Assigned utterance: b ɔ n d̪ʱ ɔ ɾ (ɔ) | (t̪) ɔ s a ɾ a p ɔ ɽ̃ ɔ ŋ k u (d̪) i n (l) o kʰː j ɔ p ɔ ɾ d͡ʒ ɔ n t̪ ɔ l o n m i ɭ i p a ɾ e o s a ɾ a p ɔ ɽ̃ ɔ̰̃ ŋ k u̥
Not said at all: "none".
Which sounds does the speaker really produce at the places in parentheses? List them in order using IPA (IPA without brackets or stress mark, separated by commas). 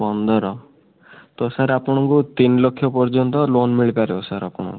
ɔ, t̪, t̪, l